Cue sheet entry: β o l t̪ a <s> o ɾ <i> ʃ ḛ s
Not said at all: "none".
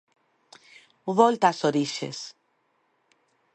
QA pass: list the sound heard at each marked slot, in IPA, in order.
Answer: s, i

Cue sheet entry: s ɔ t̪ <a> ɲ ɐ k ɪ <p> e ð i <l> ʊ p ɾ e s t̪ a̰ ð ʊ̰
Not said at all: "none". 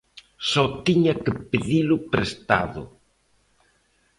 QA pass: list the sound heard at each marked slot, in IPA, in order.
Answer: i, p, l

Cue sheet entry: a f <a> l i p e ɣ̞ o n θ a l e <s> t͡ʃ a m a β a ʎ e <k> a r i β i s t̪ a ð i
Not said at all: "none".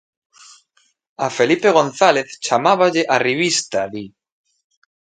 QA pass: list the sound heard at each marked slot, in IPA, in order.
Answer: e, θ, ʔ

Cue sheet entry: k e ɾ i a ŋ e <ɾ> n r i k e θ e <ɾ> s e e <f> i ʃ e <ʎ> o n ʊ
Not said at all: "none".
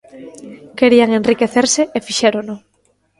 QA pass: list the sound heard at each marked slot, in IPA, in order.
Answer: none, ɾ, f, ɾ

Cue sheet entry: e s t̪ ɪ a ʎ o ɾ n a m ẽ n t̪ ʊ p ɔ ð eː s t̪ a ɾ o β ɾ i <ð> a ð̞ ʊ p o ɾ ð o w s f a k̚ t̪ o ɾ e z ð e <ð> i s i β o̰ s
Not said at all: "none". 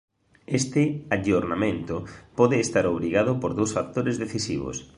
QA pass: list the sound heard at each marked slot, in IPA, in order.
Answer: ɣ, θ

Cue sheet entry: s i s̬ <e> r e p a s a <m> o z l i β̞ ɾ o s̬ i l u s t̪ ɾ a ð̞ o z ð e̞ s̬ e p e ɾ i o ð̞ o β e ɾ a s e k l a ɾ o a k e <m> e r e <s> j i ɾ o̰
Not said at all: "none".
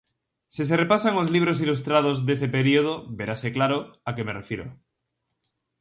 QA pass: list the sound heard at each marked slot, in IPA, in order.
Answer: e, ŋ, m, f

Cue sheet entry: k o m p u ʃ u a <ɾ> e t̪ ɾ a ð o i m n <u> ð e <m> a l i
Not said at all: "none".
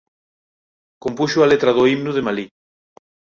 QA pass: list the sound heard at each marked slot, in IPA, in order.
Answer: l, u, m

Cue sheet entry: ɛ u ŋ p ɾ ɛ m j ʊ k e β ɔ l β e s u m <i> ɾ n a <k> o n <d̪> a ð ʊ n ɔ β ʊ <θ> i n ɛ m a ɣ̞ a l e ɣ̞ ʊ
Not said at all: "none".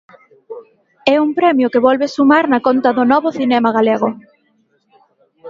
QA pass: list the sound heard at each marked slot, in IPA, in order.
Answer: a, k, t̪, θ

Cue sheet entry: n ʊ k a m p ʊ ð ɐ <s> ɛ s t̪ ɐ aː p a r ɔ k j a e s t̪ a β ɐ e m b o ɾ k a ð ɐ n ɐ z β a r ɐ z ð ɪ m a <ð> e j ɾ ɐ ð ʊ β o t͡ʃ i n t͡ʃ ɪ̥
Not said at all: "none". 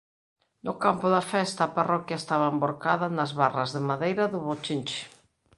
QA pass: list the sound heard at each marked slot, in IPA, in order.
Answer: f, ð

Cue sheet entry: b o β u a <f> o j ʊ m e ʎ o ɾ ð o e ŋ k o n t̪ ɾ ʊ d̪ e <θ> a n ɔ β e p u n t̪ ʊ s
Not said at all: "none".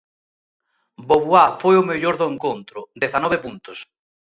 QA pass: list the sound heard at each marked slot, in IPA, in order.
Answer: f, θ

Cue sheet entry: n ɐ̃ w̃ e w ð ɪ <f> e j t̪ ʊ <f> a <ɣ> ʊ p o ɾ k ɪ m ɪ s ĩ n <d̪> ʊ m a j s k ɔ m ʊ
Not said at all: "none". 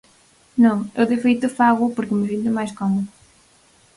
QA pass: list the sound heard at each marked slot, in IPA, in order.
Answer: f, f, ɣ, t̪

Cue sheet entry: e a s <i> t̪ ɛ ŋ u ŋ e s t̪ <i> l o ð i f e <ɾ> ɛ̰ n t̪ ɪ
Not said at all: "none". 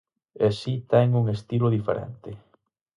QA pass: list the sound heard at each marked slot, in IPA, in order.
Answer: i, i, ɾ

